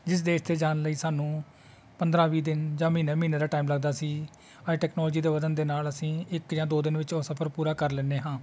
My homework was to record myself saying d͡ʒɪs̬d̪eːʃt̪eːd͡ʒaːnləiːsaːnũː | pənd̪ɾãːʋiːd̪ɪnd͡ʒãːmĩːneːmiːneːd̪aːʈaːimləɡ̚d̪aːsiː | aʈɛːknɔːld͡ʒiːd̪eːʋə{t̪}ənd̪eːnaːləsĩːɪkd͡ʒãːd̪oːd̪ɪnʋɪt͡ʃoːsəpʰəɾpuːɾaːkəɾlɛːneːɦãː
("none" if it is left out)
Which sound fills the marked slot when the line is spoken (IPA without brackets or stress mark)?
d̪